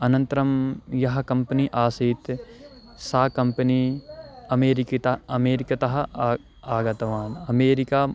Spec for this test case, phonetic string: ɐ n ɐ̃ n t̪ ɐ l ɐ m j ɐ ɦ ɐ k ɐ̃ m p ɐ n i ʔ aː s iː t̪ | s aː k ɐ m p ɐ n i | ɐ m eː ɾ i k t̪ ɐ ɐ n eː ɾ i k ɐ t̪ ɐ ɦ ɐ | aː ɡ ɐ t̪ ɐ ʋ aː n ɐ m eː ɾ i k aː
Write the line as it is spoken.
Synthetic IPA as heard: ɐ n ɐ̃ n t̪ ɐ ɾ ɐ m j ɐ ɦ ɐ k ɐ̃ m p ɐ n i ʔ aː s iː t̪ | s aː k ɐ m p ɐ n i | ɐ m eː ɾ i k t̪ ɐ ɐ m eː ɾ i k ɐ t̪ ɐ ɦ ɐ | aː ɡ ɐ t̪ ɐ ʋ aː n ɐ m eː ɾ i k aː